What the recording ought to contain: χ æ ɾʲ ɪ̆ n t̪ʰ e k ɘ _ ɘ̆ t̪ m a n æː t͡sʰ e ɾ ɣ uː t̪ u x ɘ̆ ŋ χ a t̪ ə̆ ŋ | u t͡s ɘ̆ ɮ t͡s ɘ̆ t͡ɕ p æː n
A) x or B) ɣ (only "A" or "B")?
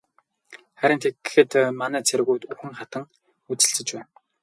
A